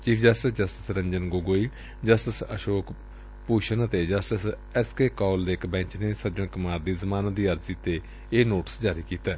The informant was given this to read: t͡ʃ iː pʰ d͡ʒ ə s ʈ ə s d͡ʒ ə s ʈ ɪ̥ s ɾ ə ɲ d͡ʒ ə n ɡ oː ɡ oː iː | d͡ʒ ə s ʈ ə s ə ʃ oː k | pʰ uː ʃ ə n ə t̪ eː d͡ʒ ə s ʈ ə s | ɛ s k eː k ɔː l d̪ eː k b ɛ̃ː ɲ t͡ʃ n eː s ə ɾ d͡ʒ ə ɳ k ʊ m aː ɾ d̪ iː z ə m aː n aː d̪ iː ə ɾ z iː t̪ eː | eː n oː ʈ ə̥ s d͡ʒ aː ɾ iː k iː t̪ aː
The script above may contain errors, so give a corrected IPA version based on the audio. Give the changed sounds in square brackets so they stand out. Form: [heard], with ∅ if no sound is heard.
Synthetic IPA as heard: t͡ʃ iː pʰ d͡ʒ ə s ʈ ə s d͡ʒ ə s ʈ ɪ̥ s ɾ ə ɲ d͡ʒ ə n ɡ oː ɡ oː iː | d͡ʒ ə s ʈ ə s ə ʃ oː k | [p] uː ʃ ə n ə t̪ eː d͡ʒ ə s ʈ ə s | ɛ s k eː k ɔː l d̪ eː k b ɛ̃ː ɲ t͡ʃ n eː s ə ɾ d͡ʒ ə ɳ k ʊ m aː ɾ d̪ iː z ə m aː n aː d̪ iː ə ɾ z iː t̪ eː | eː n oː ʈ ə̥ s d͡ʒ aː ɾ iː k iː t̪ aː